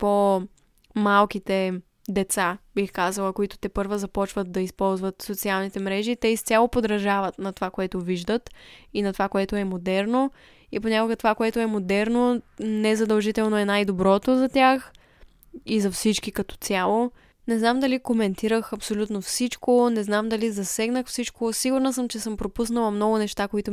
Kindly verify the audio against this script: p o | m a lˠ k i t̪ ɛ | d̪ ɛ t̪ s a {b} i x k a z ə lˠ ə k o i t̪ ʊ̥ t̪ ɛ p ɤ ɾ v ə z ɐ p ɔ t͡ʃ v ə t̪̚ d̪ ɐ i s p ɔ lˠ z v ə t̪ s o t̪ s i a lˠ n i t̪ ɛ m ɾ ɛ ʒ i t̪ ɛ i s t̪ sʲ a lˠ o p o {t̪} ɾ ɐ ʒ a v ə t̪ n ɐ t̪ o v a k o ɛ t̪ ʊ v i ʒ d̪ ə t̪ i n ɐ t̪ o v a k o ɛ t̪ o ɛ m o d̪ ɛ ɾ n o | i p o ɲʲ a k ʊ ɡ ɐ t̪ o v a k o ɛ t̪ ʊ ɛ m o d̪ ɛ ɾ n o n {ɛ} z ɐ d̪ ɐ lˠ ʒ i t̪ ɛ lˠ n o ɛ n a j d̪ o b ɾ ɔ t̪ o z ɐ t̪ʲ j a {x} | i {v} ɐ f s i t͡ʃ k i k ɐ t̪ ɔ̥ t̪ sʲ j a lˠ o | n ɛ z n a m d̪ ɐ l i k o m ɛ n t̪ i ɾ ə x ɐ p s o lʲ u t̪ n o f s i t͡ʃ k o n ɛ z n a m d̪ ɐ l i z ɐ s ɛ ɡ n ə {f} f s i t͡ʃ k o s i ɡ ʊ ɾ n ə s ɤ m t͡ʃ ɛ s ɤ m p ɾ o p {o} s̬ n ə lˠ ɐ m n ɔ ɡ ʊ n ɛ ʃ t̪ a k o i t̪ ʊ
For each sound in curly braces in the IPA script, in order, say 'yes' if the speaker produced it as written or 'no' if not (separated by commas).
yes, no, yes, yes, no, no, no